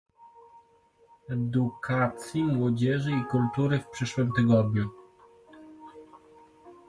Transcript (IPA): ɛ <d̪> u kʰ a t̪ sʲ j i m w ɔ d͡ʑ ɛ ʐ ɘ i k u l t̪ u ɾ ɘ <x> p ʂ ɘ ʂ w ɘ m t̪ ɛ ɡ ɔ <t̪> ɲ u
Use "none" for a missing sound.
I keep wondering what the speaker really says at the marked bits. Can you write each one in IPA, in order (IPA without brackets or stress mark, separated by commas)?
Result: d̪, f, d̪